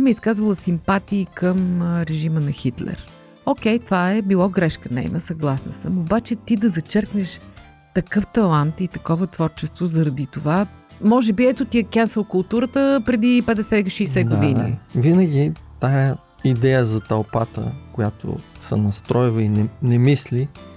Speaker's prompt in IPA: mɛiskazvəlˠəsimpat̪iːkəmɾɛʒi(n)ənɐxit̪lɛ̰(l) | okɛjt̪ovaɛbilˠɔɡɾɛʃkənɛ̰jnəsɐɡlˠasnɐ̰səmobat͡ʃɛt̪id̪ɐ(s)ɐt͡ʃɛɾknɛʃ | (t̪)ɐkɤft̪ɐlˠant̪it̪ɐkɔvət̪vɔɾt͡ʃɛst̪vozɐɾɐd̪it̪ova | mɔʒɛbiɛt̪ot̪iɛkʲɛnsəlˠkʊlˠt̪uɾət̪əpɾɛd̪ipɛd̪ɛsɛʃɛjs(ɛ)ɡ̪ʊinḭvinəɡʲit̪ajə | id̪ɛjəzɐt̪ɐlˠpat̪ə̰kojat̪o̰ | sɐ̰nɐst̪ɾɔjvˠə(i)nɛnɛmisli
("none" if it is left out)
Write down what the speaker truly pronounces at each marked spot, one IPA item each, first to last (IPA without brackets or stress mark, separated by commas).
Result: m, ɾ, z, t̪, ɛ, i